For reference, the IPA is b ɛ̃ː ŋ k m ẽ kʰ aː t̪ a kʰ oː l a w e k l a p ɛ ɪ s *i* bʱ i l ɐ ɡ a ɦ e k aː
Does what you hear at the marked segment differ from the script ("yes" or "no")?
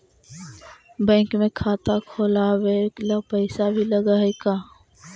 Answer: yes